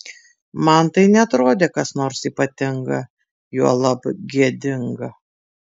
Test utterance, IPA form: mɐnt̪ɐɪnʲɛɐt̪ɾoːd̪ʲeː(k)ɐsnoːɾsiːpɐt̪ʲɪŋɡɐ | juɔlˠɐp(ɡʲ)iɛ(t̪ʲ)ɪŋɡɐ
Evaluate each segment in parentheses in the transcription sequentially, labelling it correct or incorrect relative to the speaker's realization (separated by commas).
correct, correct, incorrect